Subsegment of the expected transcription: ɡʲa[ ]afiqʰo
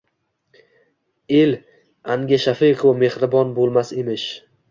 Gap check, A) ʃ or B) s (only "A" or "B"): A